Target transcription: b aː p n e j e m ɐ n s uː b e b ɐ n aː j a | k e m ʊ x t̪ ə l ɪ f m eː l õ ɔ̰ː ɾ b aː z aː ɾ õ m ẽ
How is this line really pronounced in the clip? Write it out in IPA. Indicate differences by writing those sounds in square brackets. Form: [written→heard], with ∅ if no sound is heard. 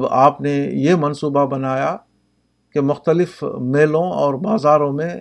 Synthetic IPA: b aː p n e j e m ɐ n s uː b [e→a] b ɐ n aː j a | k e m ʊ x t̪ ə l ɪ f m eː l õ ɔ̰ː ɾ b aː z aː ɾ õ m ẽ